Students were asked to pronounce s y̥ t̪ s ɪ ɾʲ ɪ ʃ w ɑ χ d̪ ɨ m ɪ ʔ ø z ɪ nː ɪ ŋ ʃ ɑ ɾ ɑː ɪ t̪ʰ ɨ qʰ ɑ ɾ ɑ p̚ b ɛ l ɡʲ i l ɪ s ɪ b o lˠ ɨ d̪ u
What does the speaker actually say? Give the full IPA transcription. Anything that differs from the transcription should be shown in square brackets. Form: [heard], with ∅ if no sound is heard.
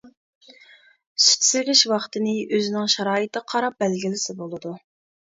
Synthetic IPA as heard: s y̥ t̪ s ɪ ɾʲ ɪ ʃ w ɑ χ [t̪] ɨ [n] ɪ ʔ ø z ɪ [n] ɪ ŋ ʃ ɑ ɾ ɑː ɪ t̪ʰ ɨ qʰ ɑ ɾ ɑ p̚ b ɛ l ɡʲ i l ɪ s ɪ b o lˠ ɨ d̪ u